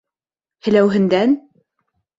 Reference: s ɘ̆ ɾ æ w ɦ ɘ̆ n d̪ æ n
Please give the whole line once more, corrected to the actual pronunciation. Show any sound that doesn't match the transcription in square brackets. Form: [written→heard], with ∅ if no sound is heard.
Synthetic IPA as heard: [s→h] ɘ̆ [ɾ→l] æ w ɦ ɘ̆ n d̪ æ n